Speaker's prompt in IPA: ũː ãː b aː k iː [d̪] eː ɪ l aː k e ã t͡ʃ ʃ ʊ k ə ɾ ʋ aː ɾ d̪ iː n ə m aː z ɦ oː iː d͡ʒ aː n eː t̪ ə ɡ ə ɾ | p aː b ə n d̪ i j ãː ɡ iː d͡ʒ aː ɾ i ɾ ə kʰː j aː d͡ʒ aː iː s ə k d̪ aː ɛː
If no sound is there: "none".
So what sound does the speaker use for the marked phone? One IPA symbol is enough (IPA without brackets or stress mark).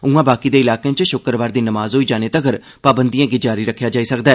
d̪